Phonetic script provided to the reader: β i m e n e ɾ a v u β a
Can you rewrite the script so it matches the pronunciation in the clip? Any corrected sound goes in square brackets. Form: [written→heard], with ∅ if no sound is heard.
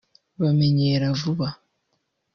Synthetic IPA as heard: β [i→a] m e [n→ɲ] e ɾ a v u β a